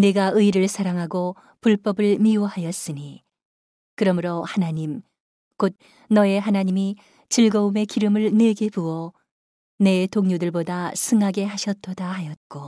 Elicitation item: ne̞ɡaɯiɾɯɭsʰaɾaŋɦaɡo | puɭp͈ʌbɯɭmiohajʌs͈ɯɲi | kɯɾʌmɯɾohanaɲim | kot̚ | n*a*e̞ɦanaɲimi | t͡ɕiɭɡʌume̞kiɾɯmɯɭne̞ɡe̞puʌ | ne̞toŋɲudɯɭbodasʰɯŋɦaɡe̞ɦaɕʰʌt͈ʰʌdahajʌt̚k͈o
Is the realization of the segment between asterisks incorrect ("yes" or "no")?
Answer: yes